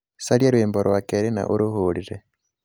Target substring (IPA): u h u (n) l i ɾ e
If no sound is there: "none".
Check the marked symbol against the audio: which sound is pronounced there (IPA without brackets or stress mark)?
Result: none